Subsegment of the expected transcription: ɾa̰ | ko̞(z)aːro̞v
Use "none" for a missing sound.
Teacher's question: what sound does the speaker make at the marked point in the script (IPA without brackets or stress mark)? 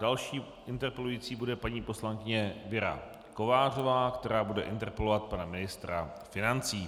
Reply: v